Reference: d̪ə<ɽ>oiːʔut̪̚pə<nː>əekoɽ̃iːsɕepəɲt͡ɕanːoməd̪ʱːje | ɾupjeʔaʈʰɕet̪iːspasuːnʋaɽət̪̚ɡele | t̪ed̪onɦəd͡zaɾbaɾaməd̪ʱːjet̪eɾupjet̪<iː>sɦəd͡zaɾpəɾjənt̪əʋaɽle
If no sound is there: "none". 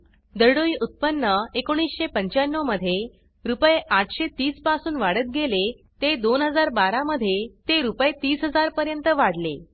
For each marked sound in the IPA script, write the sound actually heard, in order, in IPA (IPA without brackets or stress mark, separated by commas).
ɽ, nː, iː